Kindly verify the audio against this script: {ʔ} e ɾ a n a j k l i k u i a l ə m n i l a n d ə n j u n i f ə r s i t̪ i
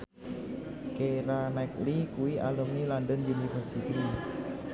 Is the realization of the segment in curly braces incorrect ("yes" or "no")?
yes